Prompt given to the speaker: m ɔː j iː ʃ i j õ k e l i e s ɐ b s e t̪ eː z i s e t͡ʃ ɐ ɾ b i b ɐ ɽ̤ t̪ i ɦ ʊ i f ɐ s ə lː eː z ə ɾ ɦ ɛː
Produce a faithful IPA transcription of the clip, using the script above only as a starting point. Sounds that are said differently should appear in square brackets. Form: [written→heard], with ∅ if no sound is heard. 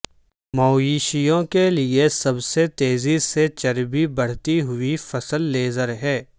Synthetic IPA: m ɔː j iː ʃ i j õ k e l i e s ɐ b s e t̪ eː z i s e t͡ʃ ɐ ɾ b i b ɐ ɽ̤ t̪ i ɦ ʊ i f ɐ s ə lː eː z ə ɾ ɦ ɛː